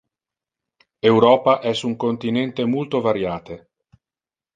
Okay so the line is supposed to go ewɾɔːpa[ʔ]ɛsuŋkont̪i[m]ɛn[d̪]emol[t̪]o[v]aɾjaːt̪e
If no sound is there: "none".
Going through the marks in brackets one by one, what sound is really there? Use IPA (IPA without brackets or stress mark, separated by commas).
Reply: ʔ, n, t̪, t̪, v